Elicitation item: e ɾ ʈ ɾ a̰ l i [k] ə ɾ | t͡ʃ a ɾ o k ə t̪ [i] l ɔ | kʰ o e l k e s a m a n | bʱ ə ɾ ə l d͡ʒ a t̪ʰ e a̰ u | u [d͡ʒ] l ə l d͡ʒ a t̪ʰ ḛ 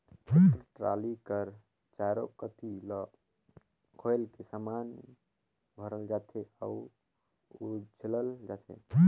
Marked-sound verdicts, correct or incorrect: correct, correct, correct

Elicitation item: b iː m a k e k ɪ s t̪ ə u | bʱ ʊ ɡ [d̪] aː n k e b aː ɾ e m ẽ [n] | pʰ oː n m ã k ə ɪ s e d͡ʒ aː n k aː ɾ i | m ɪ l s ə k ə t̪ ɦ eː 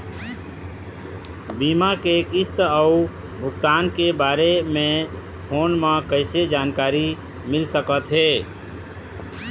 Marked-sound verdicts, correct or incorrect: incorrect: t̪, incorrect: none

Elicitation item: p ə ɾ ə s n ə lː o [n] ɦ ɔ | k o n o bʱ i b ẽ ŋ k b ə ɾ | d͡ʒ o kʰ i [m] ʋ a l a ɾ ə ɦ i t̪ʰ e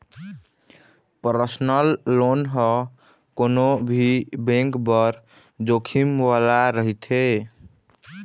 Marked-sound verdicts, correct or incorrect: correct, correct

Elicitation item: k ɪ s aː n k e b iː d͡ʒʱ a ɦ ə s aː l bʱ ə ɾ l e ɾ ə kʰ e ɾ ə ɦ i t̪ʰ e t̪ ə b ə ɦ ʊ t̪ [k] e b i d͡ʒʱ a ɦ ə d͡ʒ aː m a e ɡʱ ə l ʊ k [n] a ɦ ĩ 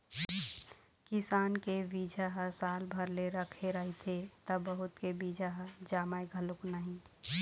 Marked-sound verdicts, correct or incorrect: correct, correct

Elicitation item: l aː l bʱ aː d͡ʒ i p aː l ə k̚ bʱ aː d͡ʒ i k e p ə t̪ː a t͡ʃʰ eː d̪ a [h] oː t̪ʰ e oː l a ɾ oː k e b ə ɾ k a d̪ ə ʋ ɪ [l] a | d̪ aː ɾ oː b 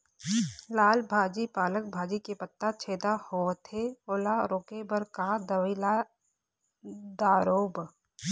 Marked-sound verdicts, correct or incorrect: correct, correct

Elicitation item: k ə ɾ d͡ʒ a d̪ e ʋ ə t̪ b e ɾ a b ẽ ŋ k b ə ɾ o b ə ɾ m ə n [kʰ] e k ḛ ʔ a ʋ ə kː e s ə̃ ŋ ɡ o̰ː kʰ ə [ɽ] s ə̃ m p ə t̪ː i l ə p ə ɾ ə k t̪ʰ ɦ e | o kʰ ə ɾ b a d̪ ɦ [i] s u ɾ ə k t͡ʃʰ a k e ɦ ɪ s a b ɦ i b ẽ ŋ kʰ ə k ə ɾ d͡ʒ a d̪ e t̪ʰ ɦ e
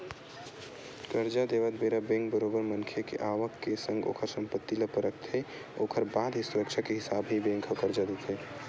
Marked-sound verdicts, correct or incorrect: correct, incorrect: ɾ, correct

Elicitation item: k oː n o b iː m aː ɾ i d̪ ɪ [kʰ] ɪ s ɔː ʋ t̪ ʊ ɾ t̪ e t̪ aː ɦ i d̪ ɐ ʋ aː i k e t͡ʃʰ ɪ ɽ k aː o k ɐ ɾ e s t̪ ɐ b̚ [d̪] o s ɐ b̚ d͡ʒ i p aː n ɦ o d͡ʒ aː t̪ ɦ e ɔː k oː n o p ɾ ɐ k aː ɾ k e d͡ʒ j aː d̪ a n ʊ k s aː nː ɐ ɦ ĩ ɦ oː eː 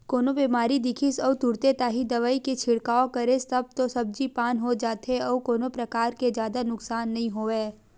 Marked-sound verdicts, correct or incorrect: correct, incorrect: t̪

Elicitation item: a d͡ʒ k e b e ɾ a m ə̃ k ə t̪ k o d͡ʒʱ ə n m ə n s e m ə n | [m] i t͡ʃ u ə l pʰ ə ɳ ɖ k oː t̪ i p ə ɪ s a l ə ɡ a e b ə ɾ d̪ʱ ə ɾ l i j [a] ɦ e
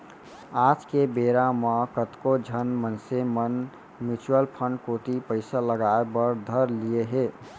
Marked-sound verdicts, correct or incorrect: correct, incorrect: e

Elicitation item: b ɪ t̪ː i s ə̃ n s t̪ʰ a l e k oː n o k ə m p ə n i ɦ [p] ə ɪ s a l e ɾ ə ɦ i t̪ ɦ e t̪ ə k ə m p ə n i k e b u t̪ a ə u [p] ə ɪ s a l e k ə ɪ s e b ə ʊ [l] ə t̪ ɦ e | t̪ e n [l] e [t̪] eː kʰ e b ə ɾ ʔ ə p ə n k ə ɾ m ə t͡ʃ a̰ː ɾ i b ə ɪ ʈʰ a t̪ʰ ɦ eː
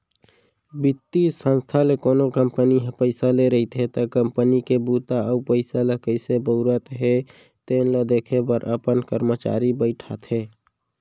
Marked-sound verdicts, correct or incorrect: correct, correct, incorrect: ɾ, correct, incorrect: d̪

